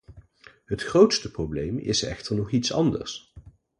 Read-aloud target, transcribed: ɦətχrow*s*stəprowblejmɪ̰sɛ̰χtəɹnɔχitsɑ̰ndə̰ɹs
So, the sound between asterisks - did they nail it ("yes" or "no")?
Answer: no